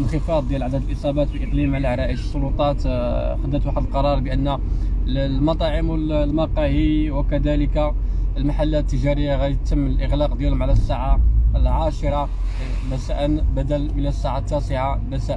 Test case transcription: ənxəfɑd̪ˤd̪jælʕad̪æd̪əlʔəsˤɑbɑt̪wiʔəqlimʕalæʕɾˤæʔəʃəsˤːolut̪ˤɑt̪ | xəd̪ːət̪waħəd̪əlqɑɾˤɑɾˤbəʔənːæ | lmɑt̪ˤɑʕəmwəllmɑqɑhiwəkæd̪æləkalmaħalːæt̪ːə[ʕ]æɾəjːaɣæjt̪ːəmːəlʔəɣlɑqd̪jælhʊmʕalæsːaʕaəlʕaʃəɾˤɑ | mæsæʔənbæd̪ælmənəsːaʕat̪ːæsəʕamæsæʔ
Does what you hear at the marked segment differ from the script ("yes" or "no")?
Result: yes